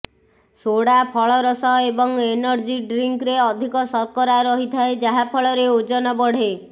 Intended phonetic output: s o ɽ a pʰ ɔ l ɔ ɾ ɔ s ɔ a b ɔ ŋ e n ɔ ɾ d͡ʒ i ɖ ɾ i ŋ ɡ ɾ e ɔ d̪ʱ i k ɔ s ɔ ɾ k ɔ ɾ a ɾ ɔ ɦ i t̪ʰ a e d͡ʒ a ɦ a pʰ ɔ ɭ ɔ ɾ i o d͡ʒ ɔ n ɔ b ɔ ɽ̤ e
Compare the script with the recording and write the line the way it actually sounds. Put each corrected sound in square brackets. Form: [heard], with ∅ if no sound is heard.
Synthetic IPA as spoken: s o ɽ a pʰ ɔ [ɭ] ɔ ɾ ɔ s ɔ [e] b ɔ ŋ e n ɔ ɾ d͡ʒ i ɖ ɾ i ŋ [k] ɾ e ɔ d̪ʱ i k ɔ s ɔ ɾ k ɔ ɾ a ɾ ɔ ɦ i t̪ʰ a e d͡ʒ a ɦ a pʰ ɔ ɭ ɔ ɾ [e] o d͡ʒ ɔ n ɔ b ɔ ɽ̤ e